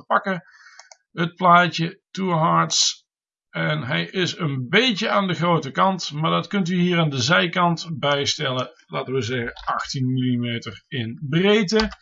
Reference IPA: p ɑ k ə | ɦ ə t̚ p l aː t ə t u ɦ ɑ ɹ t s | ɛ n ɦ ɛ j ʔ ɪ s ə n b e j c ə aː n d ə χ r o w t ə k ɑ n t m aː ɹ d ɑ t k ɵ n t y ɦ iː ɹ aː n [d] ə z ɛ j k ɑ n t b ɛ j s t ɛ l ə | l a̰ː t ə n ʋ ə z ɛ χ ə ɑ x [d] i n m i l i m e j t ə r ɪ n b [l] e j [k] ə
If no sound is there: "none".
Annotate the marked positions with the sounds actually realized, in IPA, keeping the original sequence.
d, t, r, t

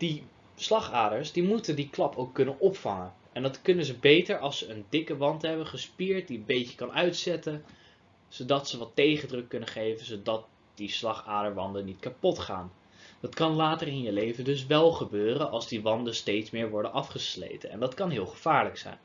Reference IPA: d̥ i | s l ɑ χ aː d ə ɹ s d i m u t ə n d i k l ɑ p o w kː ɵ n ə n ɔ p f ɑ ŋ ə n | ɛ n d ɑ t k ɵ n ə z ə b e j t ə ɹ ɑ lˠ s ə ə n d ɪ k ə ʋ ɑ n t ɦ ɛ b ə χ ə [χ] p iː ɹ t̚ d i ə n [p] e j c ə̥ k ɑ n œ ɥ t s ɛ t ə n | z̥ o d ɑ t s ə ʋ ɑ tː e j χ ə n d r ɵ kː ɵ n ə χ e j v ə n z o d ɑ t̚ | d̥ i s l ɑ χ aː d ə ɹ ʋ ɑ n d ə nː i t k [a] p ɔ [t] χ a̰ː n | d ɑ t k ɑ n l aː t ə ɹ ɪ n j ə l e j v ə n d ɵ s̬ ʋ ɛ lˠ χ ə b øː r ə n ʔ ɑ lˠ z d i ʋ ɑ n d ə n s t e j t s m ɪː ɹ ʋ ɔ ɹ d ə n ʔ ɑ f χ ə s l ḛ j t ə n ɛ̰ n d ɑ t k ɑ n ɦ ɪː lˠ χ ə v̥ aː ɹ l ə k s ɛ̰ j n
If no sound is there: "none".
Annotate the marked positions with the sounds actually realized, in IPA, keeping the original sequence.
s, b, a, t

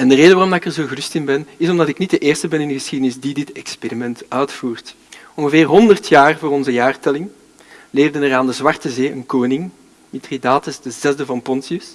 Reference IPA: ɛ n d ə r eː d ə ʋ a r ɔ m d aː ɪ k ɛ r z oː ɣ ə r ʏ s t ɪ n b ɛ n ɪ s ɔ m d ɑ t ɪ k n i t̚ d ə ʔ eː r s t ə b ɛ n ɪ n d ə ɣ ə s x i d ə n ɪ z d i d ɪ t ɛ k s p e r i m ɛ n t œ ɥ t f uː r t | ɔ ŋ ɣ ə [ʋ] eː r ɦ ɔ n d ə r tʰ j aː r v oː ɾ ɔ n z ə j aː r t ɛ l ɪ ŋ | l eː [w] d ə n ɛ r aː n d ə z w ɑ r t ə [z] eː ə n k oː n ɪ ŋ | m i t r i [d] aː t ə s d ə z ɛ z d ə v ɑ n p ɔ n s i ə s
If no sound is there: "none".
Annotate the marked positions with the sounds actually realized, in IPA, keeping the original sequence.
v, v, z, d

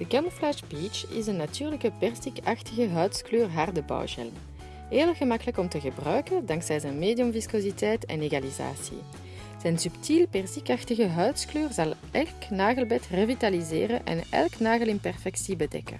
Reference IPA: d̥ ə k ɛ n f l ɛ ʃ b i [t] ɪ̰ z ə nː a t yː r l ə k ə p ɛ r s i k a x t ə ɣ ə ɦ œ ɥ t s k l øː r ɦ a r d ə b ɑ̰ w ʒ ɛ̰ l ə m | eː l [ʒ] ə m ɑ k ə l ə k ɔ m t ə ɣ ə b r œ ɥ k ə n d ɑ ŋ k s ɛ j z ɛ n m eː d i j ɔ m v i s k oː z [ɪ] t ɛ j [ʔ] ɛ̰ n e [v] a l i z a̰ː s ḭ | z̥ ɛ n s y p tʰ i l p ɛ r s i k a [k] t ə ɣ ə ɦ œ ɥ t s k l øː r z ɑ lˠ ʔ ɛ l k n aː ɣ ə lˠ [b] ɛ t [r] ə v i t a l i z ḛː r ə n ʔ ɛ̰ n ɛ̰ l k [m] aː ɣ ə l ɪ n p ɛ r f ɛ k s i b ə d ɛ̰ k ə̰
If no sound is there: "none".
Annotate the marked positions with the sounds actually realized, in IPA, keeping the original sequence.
t͡ʃ, ɣ, i, t, ɣ, x, b, r, n

